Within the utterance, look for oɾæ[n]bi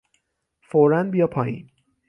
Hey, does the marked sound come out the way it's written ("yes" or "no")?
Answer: yes